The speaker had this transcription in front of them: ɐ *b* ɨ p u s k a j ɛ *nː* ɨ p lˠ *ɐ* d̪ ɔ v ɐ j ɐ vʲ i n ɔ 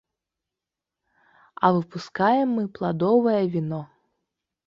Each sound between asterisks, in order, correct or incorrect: incorrect: v, incorrect: mː, incorrect: a

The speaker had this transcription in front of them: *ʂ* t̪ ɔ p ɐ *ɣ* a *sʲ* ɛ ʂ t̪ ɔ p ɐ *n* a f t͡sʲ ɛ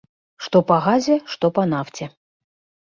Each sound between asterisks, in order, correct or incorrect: correct, correct, incorrect: zʲ, correct

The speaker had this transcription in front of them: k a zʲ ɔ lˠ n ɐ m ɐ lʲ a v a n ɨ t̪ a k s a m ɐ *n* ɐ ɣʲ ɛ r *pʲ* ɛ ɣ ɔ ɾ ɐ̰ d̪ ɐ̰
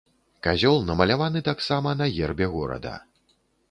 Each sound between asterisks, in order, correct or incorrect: correct, incorrect: bʲ

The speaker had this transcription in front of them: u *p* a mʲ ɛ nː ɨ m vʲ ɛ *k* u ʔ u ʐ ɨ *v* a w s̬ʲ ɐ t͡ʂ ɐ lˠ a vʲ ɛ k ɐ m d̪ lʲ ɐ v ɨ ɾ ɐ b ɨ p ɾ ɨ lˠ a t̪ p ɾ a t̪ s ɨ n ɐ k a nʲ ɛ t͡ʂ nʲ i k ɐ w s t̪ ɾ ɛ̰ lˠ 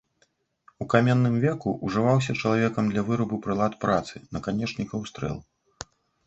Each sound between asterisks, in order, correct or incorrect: incorrect: k, correct, correct

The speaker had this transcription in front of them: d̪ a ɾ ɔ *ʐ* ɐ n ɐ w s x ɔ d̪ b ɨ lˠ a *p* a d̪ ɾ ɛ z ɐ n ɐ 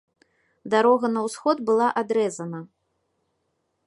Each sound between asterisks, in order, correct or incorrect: incorrect: ɣ, incorrect: ʔ

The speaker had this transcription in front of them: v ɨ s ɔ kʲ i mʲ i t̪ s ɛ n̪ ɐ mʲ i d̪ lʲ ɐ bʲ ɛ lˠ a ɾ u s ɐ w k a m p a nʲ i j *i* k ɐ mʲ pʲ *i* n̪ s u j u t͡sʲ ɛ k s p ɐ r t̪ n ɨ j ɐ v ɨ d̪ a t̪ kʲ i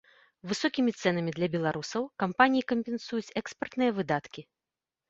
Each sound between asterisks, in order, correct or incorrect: correct, incorrect: ɛ

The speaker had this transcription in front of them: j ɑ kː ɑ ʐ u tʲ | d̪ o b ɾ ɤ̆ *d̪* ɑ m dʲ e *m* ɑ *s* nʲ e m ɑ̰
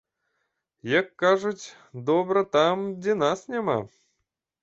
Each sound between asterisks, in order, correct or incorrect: incorrect: t̪, incorrect: n, correct

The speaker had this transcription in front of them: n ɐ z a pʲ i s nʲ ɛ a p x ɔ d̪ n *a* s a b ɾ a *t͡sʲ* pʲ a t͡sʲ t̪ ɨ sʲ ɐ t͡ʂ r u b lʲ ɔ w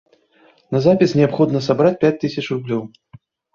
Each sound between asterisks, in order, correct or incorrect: incorrect: ɐ, correct

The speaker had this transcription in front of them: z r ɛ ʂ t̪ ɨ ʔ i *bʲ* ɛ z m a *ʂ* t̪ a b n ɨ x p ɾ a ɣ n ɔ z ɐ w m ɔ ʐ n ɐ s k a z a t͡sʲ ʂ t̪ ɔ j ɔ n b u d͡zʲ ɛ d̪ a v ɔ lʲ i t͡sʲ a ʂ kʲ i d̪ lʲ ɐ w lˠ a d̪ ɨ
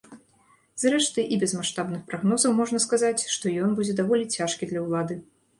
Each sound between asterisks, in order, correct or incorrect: correct, correct

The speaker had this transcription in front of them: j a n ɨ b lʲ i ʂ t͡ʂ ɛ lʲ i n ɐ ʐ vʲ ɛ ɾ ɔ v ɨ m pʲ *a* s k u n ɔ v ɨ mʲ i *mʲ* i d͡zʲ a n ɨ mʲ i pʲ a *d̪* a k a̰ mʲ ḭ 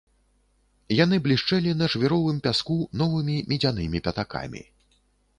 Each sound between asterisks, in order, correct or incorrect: correct, correct, incorrect: t̪

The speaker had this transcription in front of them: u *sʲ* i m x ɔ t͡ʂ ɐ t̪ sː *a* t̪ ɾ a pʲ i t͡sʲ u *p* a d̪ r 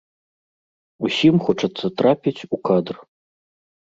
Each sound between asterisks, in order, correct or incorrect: correct, incorrect: ɐ, incorrect: k

